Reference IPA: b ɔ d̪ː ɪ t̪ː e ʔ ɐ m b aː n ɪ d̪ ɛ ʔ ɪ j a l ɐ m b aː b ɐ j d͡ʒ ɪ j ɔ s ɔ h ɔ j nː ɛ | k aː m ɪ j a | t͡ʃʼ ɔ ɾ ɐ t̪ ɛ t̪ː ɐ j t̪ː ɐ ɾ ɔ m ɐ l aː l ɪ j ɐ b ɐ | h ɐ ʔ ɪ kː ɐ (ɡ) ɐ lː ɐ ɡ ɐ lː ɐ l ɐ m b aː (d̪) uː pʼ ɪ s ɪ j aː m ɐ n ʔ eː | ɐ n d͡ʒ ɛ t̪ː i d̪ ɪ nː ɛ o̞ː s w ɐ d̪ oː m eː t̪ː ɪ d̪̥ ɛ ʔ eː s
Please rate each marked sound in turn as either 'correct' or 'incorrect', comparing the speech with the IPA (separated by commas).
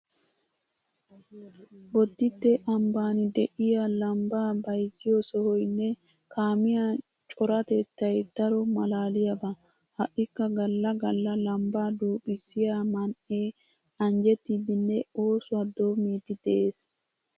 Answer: correct, correct